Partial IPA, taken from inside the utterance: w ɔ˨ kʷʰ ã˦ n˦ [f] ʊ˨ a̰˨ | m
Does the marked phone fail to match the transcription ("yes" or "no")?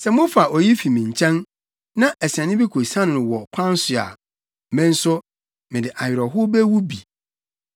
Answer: yes